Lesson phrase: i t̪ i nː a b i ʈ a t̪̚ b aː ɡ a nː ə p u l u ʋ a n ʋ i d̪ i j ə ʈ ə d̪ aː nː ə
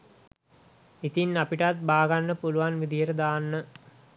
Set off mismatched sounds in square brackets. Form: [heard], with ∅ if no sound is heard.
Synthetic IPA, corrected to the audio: i t̪ i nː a [p] i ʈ a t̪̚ b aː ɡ a nː ə p u l u ʋ a n ʋ i d̪ i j ə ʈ ə d̪ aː nː ə